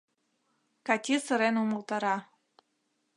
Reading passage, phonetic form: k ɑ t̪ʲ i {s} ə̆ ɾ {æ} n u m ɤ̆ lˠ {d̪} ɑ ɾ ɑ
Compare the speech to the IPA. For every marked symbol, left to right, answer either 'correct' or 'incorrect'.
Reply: correct, incorrect: e, incorrect: t̪

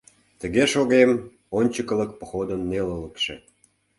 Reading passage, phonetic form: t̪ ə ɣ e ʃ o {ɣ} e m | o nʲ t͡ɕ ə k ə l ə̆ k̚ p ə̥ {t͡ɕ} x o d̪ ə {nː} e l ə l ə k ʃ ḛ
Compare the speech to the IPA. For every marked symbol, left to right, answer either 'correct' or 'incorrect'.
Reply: correct, incorrect: none, correct

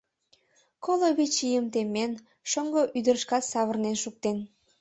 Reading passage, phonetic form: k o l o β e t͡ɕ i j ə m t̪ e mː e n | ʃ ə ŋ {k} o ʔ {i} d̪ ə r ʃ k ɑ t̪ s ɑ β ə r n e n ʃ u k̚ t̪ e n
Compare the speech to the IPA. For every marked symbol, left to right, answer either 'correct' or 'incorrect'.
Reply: incorrect: ɡ, incorrect: y

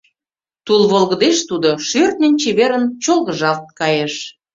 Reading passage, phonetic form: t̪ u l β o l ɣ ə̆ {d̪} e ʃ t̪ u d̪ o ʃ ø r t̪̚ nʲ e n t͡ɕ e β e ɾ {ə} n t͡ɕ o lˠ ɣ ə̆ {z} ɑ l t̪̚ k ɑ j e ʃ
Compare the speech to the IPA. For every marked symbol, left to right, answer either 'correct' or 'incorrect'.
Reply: correct, correct, incorrect: ʒ

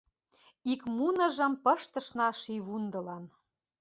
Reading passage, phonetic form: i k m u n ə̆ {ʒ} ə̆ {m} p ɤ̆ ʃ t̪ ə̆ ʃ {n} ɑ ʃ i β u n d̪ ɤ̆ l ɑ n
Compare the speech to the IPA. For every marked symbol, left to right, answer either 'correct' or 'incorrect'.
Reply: correct, correct, correct

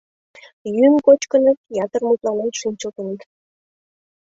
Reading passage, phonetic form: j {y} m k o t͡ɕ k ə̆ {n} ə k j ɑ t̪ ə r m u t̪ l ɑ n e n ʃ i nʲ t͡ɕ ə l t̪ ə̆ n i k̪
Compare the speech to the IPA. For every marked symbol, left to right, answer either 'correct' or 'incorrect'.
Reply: correct, correct

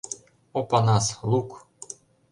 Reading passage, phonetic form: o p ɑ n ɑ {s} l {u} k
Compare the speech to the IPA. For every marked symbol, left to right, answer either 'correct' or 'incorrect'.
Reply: correct, correct

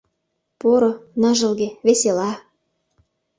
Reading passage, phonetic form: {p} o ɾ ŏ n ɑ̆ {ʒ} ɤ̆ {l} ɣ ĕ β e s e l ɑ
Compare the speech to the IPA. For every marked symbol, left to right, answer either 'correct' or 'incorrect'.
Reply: correct, correct, correct

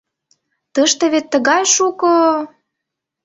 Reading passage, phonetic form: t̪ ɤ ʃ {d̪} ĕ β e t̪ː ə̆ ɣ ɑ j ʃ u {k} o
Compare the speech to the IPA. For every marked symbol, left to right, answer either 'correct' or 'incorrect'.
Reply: incorrect: t̪, correct

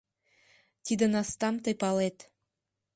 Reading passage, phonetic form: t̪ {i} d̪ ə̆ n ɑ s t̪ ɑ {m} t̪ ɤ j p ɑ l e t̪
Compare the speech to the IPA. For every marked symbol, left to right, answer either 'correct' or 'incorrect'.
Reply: correct, correct

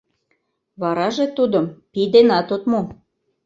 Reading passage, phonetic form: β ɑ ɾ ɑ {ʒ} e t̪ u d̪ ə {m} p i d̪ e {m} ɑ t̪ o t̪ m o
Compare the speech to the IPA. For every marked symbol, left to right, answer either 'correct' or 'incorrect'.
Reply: correct, correct, incorrect: n

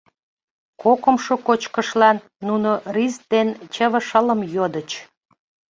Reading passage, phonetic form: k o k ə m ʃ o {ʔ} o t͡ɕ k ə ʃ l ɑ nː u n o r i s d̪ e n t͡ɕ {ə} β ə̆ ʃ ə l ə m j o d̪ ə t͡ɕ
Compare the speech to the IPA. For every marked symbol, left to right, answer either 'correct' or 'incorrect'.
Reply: incorrect: k, correct

